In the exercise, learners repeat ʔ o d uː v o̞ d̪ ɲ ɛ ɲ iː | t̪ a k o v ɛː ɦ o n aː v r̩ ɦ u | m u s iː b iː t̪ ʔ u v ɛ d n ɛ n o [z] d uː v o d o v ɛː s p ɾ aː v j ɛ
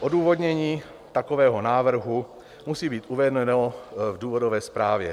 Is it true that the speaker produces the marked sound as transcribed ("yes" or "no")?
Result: no